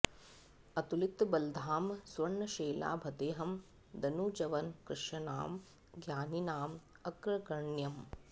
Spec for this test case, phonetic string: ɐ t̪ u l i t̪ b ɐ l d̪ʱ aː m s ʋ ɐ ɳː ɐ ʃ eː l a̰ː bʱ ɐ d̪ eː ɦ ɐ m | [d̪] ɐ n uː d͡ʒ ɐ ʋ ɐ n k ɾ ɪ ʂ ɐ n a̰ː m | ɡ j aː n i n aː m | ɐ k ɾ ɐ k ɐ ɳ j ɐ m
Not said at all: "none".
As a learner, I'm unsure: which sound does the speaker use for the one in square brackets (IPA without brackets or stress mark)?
d̪